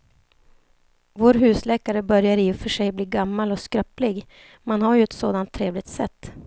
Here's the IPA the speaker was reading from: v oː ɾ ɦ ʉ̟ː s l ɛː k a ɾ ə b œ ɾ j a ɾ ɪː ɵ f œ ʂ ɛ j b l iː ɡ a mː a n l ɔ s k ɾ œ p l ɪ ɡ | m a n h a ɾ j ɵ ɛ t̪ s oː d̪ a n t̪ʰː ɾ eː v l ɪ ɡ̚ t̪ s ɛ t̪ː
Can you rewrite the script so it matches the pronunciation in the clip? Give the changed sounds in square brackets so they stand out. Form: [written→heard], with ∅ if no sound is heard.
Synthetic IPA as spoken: v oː ɾ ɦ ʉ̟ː s l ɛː k a ɾ ə b œ ɾ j a ɾ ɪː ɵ f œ ʂ ɛ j b l iː ɡ a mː a [n→∅] l ɔ s k ɾ œ p l ɪ ɡ | m a n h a ɾ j ɵ ɛ t̪ s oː d̪ a n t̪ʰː ɾ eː v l ɪ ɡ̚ t̪ s ɛ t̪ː

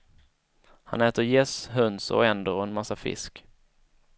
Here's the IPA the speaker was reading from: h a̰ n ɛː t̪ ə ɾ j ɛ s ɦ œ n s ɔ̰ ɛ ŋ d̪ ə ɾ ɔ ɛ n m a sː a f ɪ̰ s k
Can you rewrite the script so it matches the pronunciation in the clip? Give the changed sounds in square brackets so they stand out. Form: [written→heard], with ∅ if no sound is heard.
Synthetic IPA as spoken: h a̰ n ɛː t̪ ə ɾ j ɛ s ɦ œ n s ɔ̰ ɛ [ŋ→n] d̪ ə ɾ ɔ ɛ n m a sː a f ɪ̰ s k

